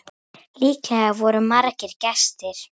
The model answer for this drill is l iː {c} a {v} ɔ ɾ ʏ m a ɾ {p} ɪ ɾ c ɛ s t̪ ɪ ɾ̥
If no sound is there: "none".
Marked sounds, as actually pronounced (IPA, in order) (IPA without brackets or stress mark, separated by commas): k, v, c